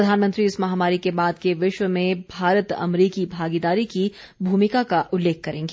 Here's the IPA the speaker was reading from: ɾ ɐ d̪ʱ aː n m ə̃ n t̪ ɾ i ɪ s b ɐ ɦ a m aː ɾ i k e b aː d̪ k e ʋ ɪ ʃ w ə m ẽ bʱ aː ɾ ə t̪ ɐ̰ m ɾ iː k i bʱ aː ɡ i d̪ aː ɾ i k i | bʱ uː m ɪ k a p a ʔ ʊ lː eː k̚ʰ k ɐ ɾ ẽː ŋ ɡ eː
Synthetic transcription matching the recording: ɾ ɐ d̪ʱ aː n m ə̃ n t̪ ɾ i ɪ s m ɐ ɦ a m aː ɾ i k e b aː d̪ k e ʋ ɪ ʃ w ə m ẽ bʱ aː ɾ ə t̪ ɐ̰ m ɾ iː k i bʱ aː ɡ i d̪ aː ɾ i k i | bʱ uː m ɪ k a k a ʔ ʊ lː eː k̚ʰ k ɐ ɾ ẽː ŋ ɡ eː